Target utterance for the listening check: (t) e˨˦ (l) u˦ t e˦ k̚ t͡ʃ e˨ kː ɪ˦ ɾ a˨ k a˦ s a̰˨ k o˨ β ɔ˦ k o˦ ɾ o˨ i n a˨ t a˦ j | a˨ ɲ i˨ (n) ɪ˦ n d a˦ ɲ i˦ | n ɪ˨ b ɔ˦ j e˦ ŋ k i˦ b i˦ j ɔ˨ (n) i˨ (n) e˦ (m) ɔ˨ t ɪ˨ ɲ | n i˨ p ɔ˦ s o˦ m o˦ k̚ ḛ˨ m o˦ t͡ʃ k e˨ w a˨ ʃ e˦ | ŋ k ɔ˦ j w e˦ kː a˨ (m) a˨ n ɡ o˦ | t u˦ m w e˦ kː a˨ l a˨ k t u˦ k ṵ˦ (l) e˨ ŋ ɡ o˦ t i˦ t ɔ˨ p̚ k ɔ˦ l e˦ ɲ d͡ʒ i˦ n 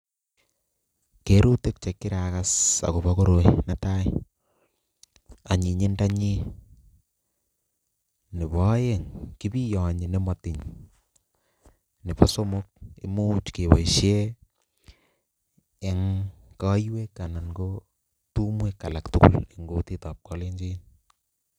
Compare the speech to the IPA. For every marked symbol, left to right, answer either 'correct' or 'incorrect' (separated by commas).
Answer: incorrect, incorrect, incorrect, incorrect, correct, correct, incorrect, correct